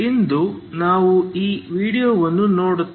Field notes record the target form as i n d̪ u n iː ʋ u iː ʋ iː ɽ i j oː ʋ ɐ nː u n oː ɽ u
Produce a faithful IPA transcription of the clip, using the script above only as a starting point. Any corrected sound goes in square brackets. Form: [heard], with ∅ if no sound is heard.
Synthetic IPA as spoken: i n d̪ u n [aː] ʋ u iː ʋ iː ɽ i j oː ʋ ɐ nː u n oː ɽ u

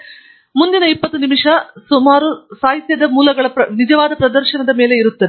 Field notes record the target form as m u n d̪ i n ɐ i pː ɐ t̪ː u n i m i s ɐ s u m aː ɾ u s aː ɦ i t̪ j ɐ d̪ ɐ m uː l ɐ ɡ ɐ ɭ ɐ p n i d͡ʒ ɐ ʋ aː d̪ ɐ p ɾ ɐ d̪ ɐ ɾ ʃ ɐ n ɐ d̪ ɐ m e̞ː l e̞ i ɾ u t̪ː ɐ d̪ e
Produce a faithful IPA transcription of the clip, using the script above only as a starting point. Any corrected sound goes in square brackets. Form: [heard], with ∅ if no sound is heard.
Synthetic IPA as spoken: m u n d̪ i n ɐ i pː ɐ t̪ː u n i m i [ʂ] ɐ s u m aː ɾ u s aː ɦ i t̪ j ɐ d̪ ɐ m uː l ɐ ɡ ɐ ɭ ɐ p n i d͡ʒ ɐ ʋ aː d̪ ɐ p ɾ ɐ d̪ ɐ ɾ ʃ ɐ n ɐ d̪ ɐ m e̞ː l e̞ i ɾ u t̪ː ɐ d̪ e

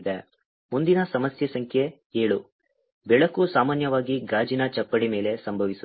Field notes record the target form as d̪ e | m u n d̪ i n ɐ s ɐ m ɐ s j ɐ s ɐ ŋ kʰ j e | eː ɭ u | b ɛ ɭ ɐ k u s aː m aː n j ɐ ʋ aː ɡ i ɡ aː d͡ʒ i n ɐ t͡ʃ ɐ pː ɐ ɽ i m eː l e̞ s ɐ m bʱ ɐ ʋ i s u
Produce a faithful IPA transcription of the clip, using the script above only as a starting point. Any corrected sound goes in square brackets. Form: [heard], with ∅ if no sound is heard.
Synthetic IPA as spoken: d̪ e | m u n d̪ i n ɐ s ɐ m ɐ s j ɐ s ɐ ŋ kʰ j e | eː ɭ u | b ɛ ɭ ɐ k u s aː m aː n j ɐ ʋ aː ɡ i ɡ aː d͡ʒ i n ɐ t͡ʃ ɐ pː ɐ ɽ i m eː l e̞ s ɐ m bʱ ɐ ʋ i s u

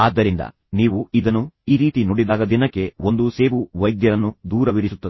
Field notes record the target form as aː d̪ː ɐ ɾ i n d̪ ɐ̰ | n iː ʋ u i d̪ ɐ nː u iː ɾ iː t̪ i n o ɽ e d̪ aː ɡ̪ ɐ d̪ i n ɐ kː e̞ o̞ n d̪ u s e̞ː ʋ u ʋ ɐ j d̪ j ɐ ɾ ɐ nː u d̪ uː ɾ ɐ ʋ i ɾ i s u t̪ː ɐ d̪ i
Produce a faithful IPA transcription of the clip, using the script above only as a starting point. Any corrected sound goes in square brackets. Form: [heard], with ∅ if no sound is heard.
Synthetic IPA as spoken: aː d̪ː ɐ ɾ i n d̪ ɐ̰ | n iː ʋ u i d̪ ɐ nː u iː ɾ iː t̪ i n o ɽ [i] d̪ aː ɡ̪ ɐ d̪ i n ɐ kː e̞ o̞ n d̪ u s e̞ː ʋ u ʋ ɐ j d̪ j ɐ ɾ ɐ nː u d̪ uː ɾ ɐ ʋ i ɾ i s u t̪ː ɐ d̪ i

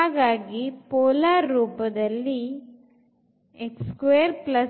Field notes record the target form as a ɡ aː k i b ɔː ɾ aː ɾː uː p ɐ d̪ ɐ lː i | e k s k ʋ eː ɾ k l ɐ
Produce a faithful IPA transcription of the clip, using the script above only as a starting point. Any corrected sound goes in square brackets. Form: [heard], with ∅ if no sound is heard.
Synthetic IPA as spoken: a ɡ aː [ɡ] i [p] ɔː [l] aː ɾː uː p ɐ d̪ ɐ lː i | e k s k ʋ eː ɾ [p] l ɐ

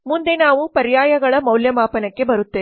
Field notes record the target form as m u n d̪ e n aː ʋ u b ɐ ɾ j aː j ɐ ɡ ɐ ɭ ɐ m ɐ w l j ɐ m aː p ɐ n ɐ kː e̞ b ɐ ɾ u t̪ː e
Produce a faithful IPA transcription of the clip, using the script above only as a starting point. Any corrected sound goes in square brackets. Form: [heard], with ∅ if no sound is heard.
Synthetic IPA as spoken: m u n d̪ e n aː ʋ u [p] ɐ ɾ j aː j ɐ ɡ ɐ ɭ ɐ m ɐ w l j ɐ m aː p ɐ n ɐ kː e̞ b ɐ ɾ u t̪ː e

